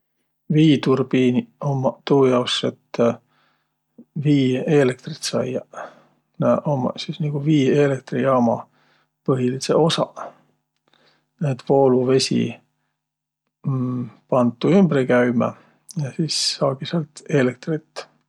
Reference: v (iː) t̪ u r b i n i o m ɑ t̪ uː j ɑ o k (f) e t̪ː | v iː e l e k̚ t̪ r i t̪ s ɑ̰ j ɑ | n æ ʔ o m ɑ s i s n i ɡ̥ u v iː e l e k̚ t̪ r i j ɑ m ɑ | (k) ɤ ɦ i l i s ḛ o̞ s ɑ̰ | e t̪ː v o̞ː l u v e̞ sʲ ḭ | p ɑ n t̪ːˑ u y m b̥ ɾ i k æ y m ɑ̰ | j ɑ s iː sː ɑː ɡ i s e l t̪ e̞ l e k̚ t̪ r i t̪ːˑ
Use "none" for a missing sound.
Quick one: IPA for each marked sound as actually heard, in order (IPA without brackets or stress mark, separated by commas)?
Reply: iː, s, p